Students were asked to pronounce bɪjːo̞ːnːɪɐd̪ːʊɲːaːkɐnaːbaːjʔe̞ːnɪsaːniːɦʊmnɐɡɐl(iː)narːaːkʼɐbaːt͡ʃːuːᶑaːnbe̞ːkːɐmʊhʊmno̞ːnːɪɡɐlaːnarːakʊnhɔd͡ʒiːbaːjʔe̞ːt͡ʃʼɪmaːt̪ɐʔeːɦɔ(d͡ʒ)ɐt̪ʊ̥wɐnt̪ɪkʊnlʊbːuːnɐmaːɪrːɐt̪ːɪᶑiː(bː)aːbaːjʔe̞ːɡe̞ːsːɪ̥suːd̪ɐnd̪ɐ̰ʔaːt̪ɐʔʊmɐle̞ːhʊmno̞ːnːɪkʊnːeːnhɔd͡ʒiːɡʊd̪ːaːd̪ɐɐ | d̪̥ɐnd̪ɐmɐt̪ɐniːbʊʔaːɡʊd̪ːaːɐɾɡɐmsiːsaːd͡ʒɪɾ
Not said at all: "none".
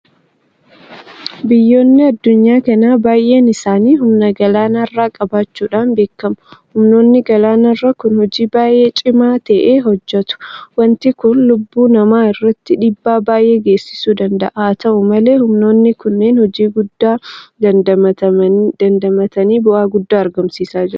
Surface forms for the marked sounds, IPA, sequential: aː, d͡ʒː, bː

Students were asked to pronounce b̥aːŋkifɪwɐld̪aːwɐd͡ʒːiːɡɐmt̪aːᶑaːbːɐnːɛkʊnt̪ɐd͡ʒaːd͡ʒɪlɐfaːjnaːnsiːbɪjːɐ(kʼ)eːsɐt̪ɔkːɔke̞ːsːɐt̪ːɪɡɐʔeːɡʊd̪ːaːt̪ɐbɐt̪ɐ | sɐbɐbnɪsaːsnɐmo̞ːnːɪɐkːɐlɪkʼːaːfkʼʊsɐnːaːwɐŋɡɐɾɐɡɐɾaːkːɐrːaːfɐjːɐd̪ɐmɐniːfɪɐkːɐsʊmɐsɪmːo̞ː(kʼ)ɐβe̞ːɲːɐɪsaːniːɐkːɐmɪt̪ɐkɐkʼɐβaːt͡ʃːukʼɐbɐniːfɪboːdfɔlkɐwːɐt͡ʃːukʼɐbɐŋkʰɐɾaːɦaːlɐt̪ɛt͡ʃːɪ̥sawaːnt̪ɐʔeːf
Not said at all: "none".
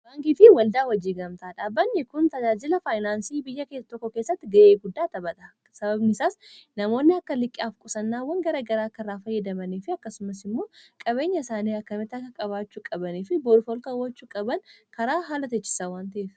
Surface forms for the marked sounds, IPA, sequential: k, kʼ

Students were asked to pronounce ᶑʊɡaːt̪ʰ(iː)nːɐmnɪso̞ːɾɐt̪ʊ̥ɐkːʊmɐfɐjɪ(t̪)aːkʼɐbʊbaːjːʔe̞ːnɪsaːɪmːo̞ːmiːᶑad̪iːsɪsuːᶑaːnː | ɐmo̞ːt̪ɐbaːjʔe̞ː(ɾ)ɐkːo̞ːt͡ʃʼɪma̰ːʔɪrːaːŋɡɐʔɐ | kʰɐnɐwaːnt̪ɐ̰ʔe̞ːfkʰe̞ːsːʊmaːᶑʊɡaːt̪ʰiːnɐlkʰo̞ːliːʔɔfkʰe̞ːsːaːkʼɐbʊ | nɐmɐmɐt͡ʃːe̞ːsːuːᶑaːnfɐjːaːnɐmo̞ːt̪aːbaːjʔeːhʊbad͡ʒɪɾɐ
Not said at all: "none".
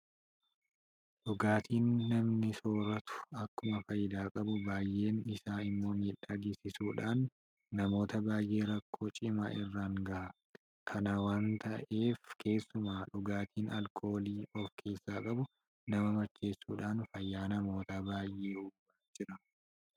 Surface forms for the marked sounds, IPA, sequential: iː, d̪, ɾ

